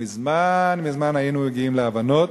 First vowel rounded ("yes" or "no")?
no